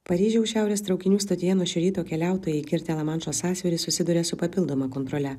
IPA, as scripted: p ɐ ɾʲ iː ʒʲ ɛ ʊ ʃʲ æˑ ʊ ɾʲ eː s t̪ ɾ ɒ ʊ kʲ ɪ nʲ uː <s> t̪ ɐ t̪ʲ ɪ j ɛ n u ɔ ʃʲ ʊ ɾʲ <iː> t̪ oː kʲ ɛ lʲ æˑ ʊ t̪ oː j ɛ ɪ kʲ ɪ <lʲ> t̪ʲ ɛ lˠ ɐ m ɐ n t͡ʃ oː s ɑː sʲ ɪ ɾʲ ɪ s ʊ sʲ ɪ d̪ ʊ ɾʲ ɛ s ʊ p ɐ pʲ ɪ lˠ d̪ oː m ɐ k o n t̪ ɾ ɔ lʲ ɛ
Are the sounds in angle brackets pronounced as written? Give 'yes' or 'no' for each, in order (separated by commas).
yes, yes, no